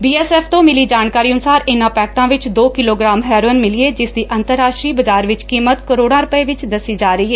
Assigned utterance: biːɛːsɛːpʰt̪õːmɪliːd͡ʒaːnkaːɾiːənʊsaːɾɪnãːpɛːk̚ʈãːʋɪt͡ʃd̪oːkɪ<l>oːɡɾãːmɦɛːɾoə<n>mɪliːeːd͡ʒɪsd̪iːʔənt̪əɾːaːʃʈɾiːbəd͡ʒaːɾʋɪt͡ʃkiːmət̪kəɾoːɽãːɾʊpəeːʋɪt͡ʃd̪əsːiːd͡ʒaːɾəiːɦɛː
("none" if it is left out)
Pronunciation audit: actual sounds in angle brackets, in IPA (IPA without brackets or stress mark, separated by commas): l, n